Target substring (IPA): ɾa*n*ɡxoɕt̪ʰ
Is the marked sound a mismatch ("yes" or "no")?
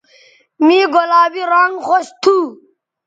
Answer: yes